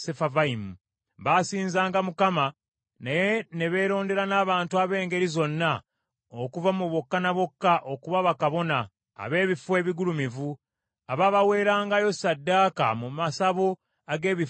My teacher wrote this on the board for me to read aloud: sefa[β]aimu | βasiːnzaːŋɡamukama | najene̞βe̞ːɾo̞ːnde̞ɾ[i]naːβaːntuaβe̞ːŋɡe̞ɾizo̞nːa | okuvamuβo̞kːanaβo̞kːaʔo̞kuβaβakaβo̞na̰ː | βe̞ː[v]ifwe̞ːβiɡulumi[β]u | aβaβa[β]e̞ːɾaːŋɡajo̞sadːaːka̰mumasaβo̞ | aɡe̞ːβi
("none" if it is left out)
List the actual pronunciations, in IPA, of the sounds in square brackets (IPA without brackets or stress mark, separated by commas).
v, a, β, v, w